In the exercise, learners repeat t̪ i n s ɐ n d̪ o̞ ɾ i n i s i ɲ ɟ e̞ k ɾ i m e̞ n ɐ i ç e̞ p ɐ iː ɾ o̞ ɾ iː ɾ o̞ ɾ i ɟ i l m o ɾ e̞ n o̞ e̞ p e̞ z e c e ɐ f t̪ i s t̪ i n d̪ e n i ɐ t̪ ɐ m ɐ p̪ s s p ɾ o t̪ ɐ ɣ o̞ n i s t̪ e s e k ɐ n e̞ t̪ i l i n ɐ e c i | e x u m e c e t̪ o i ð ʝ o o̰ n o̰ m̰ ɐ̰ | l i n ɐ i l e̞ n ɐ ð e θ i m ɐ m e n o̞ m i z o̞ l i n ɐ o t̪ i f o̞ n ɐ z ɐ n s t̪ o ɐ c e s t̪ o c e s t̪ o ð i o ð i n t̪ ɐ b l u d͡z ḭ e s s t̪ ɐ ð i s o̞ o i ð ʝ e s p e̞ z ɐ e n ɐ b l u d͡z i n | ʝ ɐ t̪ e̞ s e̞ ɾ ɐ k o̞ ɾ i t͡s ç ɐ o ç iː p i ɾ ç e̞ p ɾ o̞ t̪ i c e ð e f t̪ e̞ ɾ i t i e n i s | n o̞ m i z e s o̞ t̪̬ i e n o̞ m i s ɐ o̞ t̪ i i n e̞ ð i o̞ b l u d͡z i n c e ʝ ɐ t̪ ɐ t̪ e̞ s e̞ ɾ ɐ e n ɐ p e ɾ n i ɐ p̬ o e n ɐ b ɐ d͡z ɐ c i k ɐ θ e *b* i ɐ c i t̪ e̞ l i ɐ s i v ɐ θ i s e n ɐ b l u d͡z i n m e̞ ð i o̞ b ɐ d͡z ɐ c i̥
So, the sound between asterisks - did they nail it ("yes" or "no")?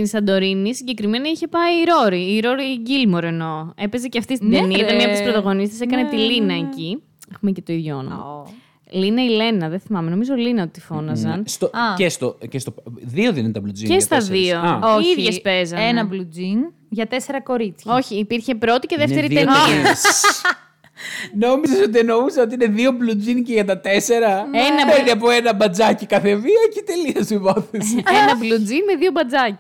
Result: no